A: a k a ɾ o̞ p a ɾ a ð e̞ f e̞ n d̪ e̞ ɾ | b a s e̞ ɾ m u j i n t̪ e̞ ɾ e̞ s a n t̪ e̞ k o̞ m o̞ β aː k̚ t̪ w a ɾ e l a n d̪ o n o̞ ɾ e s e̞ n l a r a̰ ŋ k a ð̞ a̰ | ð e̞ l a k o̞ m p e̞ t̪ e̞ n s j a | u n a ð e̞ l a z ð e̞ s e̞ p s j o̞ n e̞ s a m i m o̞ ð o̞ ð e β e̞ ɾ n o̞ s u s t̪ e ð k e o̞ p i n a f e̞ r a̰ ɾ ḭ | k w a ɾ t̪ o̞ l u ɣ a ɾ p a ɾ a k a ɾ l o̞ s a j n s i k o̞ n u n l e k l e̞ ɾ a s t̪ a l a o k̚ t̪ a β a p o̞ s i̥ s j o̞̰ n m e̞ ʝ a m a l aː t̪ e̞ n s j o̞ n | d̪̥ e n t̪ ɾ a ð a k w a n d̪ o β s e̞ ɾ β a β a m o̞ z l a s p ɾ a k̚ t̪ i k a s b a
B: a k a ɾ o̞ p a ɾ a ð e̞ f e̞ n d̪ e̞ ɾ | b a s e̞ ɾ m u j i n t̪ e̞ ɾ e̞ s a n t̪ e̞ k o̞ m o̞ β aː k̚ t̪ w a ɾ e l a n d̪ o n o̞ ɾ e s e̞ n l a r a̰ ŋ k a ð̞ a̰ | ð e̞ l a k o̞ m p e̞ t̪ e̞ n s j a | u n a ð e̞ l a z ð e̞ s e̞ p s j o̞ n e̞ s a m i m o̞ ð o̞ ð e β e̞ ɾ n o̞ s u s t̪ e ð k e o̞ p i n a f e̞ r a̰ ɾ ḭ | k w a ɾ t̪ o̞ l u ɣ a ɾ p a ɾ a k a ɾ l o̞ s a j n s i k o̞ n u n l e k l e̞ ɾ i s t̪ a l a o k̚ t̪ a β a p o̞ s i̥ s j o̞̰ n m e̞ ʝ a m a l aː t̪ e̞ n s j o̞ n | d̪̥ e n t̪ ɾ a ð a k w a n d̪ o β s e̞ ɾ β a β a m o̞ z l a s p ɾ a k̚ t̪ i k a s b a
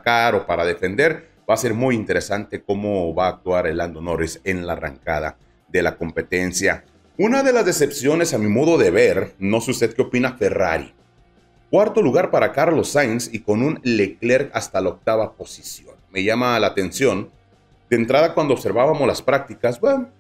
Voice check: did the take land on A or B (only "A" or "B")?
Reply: A